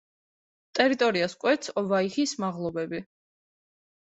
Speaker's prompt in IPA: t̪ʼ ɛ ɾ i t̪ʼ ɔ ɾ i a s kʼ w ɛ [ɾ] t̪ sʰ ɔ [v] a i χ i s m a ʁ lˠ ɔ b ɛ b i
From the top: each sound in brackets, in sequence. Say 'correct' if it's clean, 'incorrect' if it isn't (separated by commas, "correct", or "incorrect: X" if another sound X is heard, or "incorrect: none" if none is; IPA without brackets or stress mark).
incorrect: none, correct